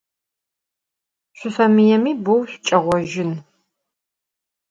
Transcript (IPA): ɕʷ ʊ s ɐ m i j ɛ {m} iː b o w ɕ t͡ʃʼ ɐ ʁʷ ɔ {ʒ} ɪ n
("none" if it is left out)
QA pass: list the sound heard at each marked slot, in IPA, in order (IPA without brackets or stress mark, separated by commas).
m, ʒ